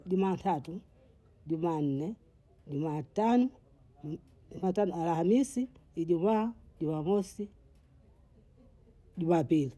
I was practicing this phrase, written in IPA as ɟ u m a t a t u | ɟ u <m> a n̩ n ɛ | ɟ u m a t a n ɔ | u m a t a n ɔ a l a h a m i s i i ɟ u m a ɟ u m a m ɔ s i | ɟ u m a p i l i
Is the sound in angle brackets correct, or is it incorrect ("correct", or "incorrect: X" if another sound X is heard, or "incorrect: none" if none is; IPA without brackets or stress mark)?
correct